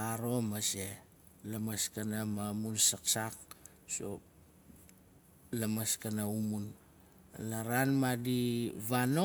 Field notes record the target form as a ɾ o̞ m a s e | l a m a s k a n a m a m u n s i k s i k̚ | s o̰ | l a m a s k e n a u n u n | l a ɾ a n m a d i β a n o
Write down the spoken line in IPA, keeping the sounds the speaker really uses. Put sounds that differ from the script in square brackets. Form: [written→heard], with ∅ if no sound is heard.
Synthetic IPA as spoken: a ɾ o̞ m a s e | l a m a s k a n a m a m u n s [i→a] k s [i→a] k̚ | s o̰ | l a m a s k [e→a] n a u [n→m] u n | l a ɾ a n m a d i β a n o